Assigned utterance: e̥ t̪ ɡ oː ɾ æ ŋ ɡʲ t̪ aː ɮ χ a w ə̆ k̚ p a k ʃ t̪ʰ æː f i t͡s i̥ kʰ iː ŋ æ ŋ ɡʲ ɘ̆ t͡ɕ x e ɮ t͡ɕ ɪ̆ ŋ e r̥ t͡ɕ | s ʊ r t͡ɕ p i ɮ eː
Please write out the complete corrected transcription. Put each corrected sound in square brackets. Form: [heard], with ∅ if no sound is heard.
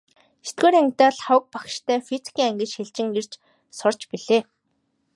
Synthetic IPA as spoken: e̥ t̪ ɡ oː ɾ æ ŋ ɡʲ t̪ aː ɮ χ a w ə̆ k̚ p a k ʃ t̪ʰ æː f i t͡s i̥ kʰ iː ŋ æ ŋ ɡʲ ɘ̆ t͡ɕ x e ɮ t͡ɕ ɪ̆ ŋ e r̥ t͡ɕ | s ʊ r t͡ɕ p i ɮ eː